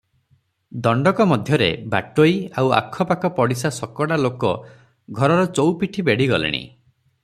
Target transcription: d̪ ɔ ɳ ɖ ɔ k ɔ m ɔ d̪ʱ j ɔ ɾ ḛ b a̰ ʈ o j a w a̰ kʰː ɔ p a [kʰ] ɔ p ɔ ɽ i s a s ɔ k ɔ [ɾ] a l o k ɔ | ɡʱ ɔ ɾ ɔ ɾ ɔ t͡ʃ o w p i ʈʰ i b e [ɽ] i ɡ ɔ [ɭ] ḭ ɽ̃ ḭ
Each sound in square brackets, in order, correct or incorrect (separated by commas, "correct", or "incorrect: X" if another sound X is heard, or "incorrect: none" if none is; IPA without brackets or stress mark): incorrect: k, incorrect: ɽ, correct, incorrect: l